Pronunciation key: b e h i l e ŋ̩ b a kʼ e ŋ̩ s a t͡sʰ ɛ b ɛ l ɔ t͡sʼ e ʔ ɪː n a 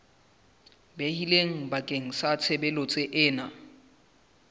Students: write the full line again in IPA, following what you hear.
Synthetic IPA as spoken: b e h i l e ŋ̩ b a kʼ e ŋ̩ s a t͡sʰ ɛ b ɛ l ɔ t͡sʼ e ʔ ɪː n a